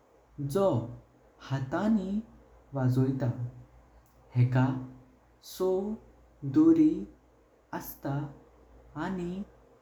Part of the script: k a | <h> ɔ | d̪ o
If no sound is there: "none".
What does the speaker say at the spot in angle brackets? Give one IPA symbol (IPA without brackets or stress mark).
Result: s